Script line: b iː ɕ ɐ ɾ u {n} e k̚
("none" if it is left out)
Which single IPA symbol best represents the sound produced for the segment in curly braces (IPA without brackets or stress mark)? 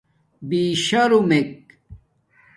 m